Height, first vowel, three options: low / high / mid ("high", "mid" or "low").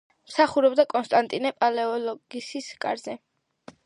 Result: low